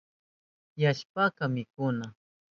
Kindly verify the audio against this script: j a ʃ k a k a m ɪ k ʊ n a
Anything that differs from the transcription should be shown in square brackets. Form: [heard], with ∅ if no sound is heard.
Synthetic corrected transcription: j a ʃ [p] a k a m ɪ k ʊ n a

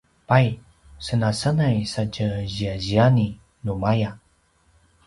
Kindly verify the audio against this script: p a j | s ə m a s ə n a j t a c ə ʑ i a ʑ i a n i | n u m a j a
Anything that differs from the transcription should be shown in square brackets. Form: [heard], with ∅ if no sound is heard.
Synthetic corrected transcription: p a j | s ə [n] a s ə n a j [s] a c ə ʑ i a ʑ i a n i | n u m a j a

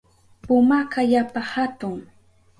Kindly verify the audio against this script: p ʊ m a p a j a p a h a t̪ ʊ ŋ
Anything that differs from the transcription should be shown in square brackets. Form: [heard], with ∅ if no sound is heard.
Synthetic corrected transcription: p ʊ m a [k] a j a p a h a t̪ ʊ ŋ

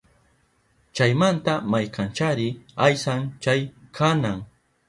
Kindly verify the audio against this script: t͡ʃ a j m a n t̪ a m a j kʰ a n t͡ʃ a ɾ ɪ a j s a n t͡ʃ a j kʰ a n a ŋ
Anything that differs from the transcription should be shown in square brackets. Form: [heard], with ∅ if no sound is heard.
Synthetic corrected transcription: t͡ʃ a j m a n t̪ a m a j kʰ a n t͡ʃ a ɾ ɪ a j s a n t͡ʃ a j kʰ a n a ŋ

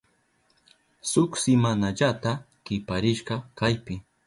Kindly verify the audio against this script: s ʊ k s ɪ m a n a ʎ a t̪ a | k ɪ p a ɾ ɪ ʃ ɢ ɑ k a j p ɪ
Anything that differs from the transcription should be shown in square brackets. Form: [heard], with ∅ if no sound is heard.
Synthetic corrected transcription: s ʊ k s ɪ m a n a ʎ a t̪ a | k ɪ p a ɾ ɪ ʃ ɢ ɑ k a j p ɪ

